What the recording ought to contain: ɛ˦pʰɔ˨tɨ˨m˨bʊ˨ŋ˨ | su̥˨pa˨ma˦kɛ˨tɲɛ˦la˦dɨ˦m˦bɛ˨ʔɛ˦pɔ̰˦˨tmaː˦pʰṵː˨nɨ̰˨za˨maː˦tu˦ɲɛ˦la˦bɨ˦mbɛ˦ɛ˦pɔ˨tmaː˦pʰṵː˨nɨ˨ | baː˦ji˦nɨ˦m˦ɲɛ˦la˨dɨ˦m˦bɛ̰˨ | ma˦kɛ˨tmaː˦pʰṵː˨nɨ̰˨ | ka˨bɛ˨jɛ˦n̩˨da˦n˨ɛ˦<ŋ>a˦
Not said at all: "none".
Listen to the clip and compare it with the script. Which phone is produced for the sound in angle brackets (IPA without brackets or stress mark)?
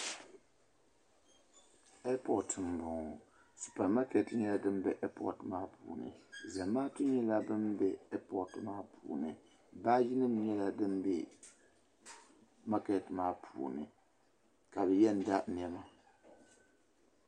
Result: m